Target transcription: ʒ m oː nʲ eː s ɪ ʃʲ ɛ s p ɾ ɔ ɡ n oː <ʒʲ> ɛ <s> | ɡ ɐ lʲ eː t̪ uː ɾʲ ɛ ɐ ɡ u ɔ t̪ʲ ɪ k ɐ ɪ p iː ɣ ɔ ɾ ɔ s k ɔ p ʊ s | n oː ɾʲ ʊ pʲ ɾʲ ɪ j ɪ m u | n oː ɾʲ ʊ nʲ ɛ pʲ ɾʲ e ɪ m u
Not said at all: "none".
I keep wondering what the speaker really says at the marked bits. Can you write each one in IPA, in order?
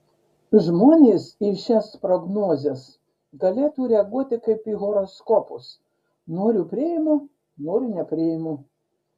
zʲ, s

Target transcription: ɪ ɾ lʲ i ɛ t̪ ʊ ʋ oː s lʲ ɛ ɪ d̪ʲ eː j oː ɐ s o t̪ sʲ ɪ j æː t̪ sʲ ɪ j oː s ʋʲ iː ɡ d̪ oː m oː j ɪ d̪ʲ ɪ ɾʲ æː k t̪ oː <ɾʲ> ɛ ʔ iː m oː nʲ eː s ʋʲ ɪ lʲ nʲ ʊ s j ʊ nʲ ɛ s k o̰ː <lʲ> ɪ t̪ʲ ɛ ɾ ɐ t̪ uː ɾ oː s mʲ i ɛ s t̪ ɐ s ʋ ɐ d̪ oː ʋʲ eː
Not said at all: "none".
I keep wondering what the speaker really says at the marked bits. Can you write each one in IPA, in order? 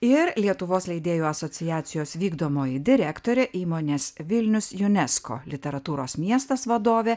ɾʲ, lʲ

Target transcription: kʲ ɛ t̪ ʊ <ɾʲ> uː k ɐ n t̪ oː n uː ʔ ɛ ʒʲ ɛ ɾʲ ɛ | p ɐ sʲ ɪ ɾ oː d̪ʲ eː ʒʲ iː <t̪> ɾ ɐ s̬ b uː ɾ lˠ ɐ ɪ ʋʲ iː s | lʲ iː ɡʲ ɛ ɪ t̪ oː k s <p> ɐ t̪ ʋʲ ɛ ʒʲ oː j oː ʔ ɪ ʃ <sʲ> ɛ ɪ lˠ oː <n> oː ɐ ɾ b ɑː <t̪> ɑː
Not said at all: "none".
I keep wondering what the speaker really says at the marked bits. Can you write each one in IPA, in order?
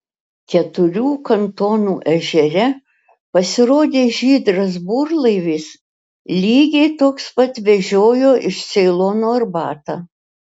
ɾʲ, d̪, p, sʲ, n, t̪

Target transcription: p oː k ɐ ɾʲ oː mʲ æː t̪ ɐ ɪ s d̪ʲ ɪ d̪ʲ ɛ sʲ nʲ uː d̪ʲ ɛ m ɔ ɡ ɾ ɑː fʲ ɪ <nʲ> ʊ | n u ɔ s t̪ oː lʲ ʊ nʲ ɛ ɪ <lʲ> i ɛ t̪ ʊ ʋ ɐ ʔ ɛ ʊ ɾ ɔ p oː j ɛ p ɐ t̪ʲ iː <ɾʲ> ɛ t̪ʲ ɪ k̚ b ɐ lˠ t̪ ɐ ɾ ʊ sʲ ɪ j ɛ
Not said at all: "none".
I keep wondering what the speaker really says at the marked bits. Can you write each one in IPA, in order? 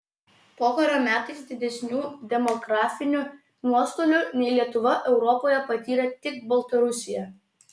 nʲ, lʲ, ɾʲ

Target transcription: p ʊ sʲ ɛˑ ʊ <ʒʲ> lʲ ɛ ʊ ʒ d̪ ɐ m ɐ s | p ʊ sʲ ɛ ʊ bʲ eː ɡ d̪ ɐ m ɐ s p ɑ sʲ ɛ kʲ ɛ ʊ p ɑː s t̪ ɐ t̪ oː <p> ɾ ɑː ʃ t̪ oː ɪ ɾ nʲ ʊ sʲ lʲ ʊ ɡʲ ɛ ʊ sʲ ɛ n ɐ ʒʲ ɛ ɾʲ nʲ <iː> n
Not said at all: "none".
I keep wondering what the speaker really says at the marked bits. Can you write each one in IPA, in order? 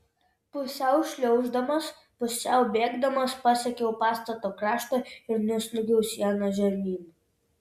ʃʲ, k, iː

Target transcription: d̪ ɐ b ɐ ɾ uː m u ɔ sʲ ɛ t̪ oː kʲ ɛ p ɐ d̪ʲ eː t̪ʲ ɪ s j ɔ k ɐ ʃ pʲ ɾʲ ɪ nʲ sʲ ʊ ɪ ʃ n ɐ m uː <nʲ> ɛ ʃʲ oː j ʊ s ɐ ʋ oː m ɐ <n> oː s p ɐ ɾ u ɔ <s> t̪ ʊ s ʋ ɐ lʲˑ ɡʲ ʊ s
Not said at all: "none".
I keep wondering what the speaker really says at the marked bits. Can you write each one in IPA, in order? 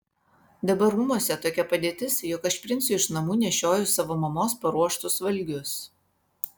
nʲ, m, ʃ

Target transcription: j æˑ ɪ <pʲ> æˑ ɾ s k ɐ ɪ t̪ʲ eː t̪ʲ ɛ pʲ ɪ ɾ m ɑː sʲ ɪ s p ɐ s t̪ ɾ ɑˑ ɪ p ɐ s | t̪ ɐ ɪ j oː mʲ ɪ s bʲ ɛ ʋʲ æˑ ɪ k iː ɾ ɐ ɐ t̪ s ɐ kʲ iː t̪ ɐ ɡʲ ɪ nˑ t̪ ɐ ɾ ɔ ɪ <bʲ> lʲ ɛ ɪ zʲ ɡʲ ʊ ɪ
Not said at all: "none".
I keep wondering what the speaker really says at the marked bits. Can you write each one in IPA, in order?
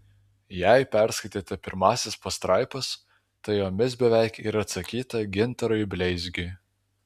pʲ, bʲ

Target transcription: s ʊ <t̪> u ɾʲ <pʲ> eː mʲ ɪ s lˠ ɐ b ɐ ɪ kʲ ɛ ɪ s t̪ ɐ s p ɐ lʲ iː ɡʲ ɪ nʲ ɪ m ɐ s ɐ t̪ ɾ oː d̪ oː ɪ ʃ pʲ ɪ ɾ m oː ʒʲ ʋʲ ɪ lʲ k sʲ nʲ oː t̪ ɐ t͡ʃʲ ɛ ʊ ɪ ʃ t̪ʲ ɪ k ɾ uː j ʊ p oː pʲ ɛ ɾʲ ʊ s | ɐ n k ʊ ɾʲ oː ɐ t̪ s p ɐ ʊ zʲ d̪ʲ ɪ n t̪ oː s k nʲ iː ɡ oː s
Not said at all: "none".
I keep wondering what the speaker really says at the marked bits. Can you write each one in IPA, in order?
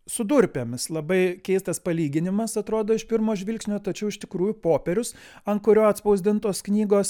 d̪, pʲ

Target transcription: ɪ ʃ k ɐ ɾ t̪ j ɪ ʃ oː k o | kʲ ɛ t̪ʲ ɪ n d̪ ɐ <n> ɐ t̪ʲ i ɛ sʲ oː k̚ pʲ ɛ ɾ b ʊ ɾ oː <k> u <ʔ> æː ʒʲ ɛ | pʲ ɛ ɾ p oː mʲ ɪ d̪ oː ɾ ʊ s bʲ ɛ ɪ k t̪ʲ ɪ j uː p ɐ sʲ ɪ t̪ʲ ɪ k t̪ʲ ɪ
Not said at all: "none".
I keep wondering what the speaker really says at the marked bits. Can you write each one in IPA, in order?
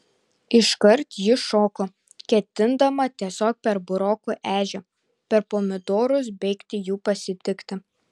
m, k, ʔ

